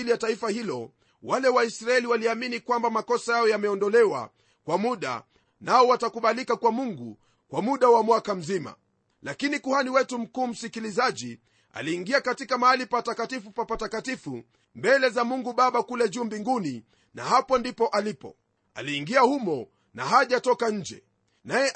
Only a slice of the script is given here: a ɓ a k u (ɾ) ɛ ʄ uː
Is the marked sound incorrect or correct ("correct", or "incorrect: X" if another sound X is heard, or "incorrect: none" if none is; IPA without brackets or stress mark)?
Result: incorrect: l